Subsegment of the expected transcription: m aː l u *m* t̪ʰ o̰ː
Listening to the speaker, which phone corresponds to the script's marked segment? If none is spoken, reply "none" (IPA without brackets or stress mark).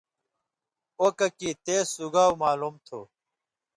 m